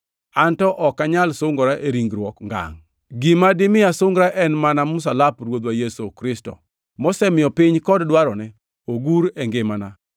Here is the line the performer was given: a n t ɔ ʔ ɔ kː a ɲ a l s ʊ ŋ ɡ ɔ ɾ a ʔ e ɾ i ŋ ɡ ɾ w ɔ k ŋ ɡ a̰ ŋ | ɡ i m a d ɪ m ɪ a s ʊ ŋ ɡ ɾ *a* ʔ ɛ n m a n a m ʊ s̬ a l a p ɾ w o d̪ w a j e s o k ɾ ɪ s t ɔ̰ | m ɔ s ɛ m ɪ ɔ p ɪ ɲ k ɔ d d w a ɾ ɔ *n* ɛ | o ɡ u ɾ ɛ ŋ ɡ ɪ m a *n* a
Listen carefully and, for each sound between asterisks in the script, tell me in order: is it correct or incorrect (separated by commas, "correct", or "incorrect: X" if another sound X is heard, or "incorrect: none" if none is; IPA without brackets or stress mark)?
correct, correct, correct